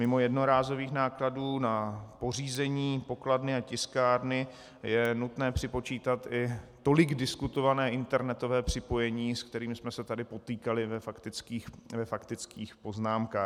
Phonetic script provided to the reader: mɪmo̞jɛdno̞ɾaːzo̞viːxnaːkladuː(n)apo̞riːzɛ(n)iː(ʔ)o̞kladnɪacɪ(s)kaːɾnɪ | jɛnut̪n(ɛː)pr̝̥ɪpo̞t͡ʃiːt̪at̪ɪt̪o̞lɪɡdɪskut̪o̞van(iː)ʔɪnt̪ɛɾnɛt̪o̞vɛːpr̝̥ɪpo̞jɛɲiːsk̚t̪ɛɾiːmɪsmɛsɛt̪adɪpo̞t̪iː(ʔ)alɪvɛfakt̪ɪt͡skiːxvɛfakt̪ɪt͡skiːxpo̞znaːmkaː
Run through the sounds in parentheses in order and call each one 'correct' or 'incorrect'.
correct, incorrect, incorrect, correct, correct, incorrect, incorrect

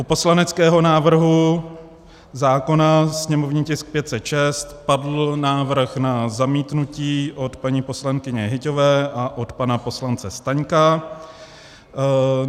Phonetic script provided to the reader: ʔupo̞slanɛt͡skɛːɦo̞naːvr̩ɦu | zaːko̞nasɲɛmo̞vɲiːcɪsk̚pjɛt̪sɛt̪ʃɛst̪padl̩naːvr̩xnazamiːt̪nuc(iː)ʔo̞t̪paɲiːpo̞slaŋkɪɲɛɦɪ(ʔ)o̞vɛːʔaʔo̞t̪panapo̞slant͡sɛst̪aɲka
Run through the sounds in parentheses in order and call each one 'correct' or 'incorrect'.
correct, incorrect

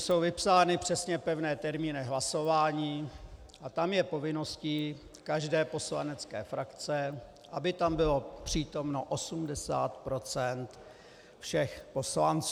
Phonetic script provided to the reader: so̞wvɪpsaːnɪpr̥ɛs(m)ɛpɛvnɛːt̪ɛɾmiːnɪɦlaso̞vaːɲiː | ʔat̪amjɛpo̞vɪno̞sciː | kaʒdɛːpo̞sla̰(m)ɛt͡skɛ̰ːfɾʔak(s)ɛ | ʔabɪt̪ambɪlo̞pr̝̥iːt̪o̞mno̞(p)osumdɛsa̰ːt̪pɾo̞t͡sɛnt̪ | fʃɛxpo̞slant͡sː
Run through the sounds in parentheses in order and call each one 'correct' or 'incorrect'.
incorrect, incorrect, incorrect, incorrect

